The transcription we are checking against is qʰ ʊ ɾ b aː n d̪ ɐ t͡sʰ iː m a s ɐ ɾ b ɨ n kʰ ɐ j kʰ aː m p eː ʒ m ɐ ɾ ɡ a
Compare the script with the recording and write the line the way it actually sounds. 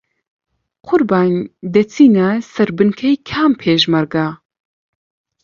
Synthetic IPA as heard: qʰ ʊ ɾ b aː n d̪ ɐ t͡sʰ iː n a s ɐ ɾ b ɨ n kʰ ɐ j kʰ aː m pʰ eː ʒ m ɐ ɾ ɡ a